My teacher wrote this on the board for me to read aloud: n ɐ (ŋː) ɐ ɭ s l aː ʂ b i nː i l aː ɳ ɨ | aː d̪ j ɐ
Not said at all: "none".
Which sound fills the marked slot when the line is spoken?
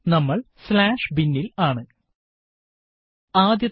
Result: mː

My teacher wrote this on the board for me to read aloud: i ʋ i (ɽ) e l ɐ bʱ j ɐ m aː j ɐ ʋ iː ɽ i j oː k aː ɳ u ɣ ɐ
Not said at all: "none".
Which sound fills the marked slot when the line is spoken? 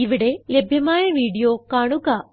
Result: ɽ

